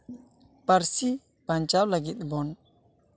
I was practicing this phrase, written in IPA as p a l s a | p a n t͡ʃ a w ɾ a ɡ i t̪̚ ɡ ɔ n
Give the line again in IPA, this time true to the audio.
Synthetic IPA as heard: p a ɾ s i | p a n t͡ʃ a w l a ɡ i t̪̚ b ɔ n